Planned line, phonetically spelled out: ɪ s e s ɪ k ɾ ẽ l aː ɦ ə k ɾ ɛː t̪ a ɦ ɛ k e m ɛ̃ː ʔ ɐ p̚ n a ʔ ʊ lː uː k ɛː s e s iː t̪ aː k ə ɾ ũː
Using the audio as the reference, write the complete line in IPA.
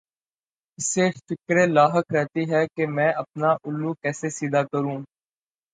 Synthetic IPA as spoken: ɪ s e f ɪ k ɾ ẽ l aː ɦ ə k ɾ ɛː t̪ i ɦ ɛ k e m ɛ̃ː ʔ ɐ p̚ n a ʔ ʊ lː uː k ɛː s e s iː d̪ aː k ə ɾ ũː